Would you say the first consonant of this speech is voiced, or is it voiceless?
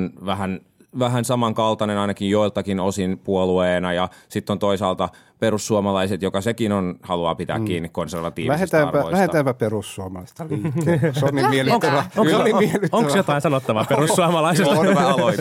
voiced